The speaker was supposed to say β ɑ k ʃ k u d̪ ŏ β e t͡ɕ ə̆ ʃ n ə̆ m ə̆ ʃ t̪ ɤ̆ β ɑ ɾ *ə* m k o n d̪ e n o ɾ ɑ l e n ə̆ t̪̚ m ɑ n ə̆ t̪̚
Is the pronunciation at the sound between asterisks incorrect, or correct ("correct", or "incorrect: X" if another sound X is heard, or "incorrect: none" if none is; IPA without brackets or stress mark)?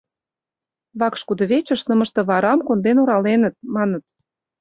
incorrect: ɑ